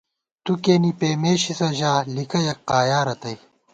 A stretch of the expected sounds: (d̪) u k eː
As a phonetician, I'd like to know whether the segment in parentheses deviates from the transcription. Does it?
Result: yes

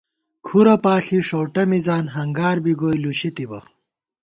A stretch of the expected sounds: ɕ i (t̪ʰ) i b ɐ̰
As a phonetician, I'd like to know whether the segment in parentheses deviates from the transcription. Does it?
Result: yes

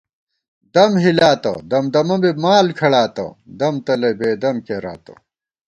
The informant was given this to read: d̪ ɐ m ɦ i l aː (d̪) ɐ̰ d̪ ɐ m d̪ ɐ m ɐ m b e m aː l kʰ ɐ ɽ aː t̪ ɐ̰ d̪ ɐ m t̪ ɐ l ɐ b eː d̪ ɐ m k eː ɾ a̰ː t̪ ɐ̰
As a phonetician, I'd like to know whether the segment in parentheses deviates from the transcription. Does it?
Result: yes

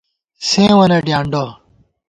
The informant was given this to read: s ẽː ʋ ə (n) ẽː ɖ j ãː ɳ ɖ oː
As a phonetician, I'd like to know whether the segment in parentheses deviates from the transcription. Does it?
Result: no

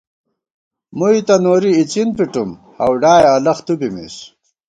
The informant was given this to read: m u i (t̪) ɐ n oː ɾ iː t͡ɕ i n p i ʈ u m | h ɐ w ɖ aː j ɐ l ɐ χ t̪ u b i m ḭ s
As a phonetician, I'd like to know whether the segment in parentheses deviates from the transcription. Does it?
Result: no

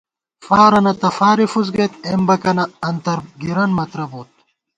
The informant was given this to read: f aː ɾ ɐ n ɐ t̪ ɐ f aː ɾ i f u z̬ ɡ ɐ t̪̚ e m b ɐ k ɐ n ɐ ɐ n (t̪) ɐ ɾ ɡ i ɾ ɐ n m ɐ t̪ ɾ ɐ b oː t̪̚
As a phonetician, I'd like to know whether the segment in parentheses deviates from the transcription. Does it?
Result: no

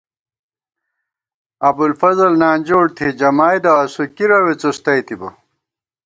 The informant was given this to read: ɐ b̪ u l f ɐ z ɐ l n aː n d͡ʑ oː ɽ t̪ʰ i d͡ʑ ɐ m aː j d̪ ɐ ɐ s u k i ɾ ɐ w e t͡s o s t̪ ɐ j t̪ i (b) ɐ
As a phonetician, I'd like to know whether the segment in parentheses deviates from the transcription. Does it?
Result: no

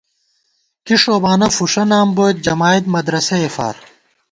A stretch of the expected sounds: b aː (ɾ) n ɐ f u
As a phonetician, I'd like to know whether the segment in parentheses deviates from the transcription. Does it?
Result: yes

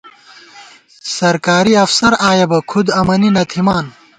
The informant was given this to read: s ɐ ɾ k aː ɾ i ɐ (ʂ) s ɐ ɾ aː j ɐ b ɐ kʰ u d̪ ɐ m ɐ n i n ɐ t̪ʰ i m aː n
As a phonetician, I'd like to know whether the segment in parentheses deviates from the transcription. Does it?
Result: yes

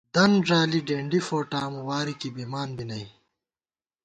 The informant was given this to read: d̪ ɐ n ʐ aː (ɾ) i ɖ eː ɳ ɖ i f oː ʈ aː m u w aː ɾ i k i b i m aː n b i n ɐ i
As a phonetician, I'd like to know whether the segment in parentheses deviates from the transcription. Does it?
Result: yes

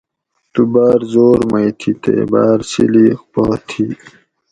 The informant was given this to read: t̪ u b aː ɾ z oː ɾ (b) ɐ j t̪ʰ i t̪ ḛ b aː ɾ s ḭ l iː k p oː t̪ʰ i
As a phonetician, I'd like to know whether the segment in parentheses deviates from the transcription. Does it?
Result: yes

